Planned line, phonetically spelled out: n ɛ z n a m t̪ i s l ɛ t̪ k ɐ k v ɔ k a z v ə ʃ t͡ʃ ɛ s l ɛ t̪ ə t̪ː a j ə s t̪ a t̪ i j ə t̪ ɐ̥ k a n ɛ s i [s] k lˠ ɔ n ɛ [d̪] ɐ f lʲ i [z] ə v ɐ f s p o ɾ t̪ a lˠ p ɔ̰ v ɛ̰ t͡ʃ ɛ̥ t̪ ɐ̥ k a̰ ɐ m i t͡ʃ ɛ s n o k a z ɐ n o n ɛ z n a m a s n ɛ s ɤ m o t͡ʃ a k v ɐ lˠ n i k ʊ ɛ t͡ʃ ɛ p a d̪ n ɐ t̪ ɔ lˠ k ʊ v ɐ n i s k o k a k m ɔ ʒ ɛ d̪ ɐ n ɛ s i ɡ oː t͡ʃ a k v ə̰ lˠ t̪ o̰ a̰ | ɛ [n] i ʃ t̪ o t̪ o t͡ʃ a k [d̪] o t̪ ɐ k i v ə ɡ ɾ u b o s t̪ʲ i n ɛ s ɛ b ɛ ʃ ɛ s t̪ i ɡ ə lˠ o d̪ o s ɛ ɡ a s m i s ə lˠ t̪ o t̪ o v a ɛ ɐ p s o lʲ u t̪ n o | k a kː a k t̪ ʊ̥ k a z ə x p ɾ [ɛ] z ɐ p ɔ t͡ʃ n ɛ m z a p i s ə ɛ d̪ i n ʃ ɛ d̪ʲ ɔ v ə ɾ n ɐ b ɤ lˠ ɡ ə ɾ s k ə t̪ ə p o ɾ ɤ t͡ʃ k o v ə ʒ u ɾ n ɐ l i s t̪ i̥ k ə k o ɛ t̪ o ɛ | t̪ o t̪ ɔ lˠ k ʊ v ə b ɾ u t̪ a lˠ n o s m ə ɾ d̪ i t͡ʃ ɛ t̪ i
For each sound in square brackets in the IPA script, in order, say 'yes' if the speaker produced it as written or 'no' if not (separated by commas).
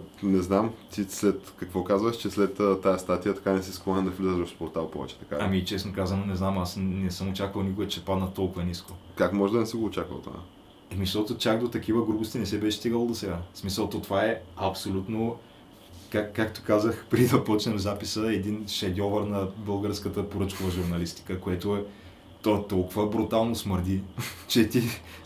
yes, yes, yes, no, yes, no